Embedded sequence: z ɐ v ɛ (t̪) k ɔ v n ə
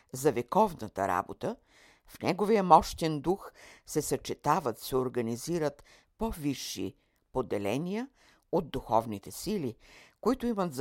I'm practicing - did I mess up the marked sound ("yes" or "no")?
yes